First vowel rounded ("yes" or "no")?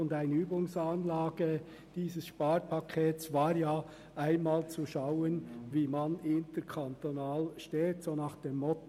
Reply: yes